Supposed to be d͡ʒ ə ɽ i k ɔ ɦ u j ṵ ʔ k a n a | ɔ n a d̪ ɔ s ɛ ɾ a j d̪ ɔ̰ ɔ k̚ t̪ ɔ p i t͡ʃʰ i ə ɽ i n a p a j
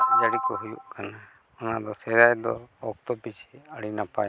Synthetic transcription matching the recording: d͡ʒ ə ɽ i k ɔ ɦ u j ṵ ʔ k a n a | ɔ n a d̪ ɔ s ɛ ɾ a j d̪ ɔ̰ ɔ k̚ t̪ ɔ p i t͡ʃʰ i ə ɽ i n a p a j

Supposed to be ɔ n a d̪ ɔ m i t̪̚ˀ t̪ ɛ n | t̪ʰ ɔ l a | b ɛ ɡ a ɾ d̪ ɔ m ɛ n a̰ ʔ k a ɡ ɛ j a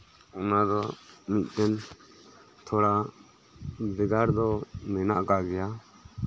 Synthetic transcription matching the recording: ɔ n a d̪ ɔ m i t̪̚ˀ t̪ ɛ n | t̪ʰ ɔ ɽ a | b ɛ ɡ a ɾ d̪ ɔ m ɛ n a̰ ʔ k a ɡ ɛ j a

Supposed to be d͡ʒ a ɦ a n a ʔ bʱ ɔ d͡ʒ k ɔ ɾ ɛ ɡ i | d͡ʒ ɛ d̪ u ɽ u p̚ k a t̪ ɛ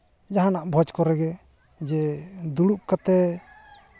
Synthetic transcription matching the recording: d͡ʒ a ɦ a n a ʔ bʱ ɔ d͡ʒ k ɔ ɾ ɛ ɡ ɛ | d͡ʒ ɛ d̪ u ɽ u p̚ k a t̪ ɛ

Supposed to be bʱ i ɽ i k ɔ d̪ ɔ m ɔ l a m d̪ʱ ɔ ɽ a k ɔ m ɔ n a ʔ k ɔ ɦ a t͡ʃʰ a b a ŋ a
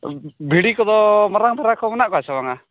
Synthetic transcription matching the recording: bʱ i ɽ i k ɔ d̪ ɔ m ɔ ɾ a ŋ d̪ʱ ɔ ɾ a k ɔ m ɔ n a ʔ k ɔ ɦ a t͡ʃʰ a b a ŋ a

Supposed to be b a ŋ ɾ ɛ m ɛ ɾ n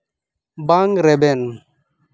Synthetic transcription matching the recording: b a ŋ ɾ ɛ b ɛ n

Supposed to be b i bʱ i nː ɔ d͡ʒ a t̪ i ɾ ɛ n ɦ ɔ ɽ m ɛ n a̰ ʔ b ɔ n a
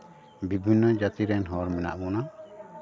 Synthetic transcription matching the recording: b i bʱ i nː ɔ d͡ʒ a t̪ i ɾ ɛ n ɦ ɔ ɾ m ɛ n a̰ ʔ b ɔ n a

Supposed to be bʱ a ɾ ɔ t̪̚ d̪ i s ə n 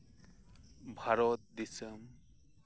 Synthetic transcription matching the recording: bʱ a ɾ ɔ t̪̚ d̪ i s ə m

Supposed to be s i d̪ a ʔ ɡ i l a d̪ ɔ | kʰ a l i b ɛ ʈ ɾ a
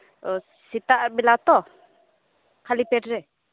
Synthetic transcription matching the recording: s i t̪ a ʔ b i l a t̪ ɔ | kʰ a l i p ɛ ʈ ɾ ɛ

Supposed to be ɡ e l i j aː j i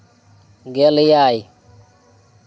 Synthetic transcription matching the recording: ɡ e l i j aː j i

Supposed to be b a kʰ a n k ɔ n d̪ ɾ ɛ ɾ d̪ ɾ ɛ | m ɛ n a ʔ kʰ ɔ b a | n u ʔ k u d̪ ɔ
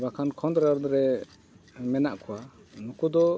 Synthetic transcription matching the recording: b a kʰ a n kʰ ɔ n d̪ ɾ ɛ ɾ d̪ ɾ ɛ | m ɛ n a ʔ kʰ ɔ w a | n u k u d̪ ɔ

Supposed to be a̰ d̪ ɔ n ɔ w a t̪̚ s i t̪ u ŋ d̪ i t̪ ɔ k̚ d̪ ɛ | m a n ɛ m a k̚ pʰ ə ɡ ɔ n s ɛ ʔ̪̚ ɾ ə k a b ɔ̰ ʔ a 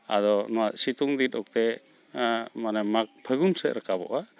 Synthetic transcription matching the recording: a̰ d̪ ɔ n ɔ w a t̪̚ s i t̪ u ŋ d̪ i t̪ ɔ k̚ t̪ ɛ | m a n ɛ m a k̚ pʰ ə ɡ u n s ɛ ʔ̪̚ ɾ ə k a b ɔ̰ ʔ a

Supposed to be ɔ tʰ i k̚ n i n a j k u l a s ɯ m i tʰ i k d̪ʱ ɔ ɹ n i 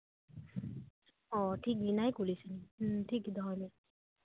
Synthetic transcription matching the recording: ɔ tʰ i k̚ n i n a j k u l i s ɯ n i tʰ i k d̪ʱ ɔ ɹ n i

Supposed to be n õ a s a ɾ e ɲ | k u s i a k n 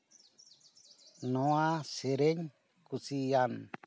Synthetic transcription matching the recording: n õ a s e ɾ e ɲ | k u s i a n

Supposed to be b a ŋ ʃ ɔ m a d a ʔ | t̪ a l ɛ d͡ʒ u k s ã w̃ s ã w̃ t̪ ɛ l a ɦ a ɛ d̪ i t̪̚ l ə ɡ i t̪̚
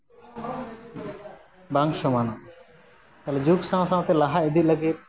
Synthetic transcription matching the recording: b a ŋ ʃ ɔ m a n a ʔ | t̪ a l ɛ d͡ʒ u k s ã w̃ s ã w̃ t̪ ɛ l a ɦ a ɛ d̪ i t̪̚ l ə ɡ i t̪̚

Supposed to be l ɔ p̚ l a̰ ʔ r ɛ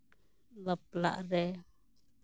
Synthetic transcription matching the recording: l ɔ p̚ l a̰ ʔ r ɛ

